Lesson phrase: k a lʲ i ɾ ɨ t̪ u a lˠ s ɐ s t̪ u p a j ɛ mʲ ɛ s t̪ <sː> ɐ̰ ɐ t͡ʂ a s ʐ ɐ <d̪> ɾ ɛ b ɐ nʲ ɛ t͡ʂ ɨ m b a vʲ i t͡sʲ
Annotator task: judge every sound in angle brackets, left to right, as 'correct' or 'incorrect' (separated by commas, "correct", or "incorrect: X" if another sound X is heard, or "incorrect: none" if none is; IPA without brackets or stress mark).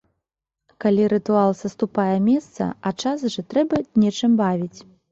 incorrect: s, incorrect: t̪